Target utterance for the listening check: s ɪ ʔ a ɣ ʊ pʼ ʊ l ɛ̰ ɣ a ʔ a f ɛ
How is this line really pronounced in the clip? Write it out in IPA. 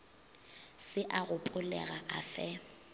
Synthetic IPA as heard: s ɪ ʔ a ɣ ʊ pʼ ʊ l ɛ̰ ɣ a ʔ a f ɛ

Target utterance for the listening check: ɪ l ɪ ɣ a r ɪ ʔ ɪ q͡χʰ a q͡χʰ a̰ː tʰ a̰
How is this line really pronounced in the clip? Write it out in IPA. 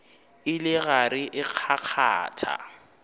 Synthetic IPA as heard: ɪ l ɪ ɣ a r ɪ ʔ ɪ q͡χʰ a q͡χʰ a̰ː tʰ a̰

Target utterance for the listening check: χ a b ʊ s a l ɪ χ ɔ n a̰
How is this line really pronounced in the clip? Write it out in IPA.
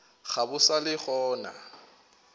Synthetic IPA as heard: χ a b ʊ s a l ɪ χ ɔː n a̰

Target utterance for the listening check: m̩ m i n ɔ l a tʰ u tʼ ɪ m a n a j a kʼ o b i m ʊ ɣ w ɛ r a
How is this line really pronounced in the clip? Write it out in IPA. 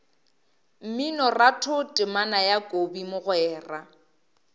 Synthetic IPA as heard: m̩ m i n ɔ r a tʰ ʊ tʼ ɪ m a n a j a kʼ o b i m ʊ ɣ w ɛː r a

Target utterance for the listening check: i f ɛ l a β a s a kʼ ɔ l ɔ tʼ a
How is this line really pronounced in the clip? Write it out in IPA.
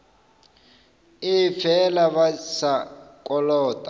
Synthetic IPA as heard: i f ɛ l a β a s a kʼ ɔ l ɔː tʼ a

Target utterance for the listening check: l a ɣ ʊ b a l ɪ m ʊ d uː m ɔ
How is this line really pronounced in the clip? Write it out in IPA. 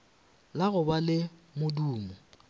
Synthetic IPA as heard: l a ɣ ʊ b a l ɪ m ʊ d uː m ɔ

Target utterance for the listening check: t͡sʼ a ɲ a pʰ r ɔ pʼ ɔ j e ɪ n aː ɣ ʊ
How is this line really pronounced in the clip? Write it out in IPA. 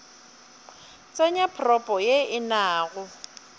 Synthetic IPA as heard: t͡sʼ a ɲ a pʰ r ɔ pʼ ɔ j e ɪ n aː ɣ ʊ

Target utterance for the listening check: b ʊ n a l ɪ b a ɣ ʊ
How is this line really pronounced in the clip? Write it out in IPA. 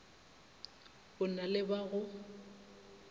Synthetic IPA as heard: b ʊ n a l ɪ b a ɣ ʊ

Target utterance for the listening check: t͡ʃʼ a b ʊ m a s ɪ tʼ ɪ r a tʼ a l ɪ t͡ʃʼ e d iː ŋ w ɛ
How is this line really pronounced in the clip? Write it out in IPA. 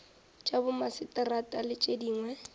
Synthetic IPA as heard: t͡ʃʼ a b ʊ m a s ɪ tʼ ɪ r a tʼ a l ɪ t͡ʃʼ e d iː ŋ w ɛ

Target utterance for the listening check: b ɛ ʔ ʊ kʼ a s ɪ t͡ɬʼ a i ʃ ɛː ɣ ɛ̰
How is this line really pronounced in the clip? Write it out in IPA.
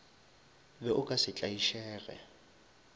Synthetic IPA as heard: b ɛ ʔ ʊ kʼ a s ɪ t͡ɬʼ a i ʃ ɛː ɣ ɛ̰

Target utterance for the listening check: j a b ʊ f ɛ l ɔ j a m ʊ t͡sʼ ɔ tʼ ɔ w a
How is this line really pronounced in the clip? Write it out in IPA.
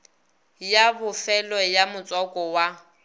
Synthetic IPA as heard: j a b ʊ f ɛ l ɔ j a m ʊ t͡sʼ ɔ kʼ ɔ w a

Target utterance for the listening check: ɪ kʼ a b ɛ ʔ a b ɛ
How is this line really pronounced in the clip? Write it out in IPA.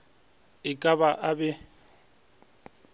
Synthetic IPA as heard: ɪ kʼ a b a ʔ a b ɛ

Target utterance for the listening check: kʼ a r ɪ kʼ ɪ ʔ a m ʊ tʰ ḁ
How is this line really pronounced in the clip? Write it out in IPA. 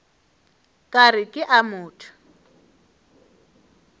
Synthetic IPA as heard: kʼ a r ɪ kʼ ɪ ʔ a m ʊː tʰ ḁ

